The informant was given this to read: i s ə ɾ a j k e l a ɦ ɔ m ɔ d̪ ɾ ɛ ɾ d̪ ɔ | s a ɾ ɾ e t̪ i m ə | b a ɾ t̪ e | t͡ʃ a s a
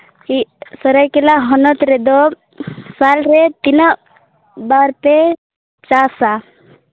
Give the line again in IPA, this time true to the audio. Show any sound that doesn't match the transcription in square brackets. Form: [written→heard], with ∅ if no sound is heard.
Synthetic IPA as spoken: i s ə ɾ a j k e l a ɦ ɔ [m→n] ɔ [d̪→t̪] ɾ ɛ [ɾ→∅] d̪ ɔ | s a [ɾ→l] ɾ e t̪ i [m→n] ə | b a ɾ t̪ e | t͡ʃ a s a